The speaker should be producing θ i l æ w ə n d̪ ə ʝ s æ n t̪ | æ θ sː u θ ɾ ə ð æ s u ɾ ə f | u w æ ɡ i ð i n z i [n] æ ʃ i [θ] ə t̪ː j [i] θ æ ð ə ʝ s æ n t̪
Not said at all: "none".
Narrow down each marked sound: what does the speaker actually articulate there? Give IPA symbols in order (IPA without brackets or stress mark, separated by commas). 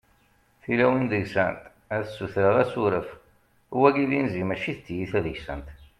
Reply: m, θ, i